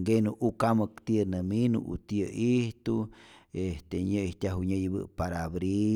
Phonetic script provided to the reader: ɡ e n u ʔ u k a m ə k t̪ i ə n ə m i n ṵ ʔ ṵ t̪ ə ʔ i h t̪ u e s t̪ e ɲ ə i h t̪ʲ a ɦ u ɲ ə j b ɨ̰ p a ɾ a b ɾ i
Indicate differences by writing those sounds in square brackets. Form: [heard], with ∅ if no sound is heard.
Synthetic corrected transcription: ɡ e n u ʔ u k a m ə k t̪ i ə n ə m i n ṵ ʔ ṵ t̪ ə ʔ i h t̪ u e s t̪ e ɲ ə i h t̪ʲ a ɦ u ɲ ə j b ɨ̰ p a ɾ a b ɾ i